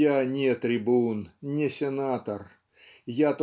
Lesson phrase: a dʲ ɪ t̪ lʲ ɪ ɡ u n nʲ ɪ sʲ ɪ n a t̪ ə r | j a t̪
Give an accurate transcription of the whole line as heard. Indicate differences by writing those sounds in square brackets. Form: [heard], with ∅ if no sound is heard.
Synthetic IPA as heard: a [nʲ] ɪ t̪ [ɾʲ] ɪ [b] u n nʲ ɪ sʲ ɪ n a t̪ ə r | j a t̪